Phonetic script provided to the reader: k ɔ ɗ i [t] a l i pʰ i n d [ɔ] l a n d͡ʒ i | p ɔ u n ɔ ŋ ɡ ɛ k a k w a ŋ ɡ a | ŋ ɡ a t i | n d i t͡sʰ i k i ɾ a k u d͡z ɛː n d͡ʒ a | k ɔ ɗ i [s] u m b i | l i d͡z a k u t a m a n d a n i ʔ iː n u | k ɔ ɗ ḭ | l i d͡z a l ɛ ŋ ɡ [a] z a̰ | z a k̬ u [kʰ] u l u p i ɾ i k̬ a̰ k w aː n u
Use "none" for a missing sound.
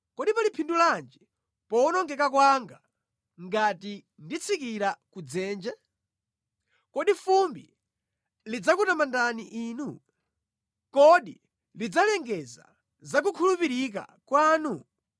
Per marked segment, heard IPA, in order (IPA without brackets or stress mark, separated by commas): p, u, f, ɛ, kʰ